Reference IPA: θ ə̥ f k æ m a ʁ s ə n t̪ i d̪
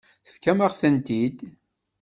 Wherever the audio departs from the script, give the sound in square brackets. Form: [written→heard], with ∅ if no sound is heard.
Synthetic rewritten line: θ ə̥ f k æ m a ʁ [s→θ] ə n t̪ i d̪